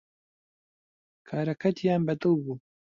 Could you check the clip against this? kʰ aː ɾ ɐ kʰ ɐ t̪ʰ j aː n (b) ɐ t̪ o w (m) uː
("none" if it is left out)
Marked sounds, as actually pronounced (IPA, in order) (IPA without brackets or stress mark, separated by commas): b, b